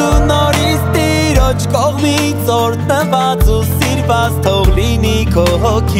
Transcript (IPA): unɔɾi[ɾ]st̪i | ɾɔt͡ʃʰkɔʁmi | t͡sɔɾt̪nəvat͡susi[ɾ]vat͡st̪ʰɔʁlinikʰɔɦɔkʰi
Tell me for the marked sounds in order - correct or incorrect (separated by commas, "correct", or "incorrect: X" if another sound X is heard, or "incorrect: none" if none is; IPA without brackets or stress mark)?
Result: incorrect: none, correct